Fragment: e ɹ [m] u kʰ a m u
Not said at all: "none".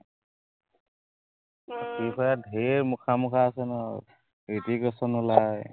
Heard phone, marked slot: m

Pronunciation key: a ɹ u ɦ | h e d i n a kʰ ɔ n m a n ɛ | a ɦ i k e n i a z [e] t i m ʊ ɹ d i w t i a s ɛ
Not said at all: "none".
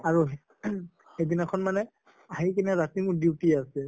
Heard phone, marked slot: a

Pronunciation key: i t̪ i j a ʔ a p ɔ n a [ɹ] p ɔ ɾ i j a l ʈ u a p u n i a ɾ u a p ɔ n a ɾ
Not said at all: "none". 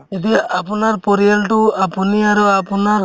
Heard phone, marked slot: ɾ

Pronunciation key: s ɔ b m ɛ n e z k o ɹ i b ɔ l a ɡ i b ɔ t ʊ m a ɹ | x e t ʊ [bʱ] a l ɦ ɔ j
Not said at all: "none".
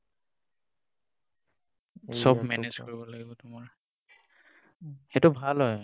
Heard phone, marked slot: bʱ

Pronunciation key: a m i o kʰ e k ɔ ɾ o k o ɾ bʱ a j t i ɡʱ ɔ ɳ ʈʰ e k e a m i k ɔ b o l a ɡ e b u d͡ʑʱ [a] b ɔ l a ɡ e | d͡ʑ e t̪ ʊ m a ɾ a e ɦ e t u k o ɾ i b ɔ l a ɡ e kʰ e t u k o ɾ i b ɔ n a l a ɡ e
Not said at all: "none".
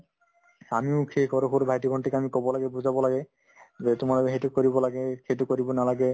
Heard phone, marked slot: a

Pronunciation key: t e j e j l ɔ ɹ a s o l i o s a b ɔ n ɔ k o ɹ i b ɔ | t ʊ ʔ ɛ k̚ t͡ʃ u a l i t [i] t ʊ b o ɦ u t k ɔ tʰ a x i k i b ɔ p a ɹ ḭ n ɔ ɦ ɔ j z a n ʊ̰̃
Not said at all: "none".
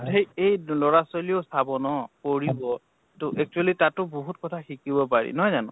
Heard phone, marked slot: a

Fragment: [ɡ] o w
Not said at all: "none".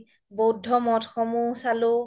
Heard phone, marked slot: b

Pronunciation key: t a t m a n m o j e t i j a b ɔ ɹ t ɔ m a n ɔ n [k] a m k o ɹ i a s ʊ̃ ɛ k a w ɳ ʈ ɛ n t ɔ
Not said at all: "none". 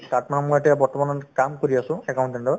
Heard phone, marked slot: k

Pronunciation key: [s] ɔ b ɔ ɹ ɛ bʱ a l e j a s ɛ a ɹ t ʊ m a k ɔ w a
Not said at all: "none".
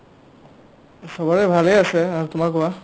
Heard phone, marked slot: s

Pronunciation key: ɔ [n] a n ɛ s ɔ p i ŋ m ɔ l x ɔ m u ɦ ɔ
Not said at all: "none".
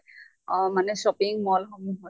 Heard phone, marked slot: m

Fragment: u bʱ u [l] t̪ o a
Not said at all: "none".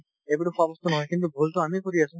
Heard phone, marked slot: l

